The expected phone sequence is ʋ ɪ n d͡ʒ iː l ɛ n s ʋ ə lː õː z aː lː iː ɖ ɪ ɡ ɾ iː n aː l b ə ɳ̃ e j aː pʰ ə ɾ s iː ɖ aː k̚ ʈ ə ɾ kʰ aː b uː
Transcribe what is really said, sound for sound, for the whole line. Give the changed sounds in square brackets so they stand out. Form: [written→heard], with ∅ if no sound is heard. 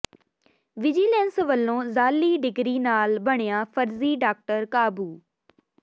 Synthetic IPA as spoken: ʋ ɪ [n→∅] d͡ʒ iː l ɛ n s ʋ ə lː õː z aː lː iː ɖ ɪ ɡ ɾ iː n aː l b ə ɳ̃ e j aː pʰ ə ɾ [s→z] iː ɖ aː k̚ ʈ ə ɾ [kʰ→k] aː b uː